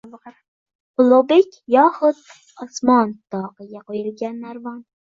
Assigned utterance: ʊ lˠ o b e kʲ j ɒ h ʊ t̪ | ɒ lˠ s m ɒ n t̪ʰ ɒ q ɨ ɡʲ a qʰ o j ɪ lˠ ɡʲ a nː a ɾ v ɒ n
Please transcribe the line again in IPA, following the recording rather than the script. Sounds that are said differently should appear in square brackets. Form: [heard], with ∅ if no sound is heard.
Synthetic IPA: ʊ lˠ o b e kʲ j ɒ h ʊ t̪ | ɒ [∅] s m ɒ n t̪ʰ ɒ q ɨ ɡʲ a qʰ o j ɪ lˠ ɡʲ a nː a ɾ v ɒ n